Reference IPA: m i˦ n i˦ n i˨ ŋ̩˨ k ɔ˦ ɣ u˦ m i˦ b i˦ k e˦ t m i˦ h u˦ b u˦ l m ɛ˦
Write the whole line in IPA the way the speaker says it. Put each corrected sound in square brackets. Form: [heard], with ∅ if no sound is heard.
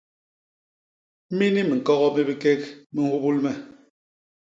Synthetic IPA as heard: m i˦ n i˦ [m] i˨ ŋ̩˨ k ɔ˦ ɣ [ɔ˦] m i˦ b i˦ k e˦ [k] m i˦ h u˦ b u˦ l m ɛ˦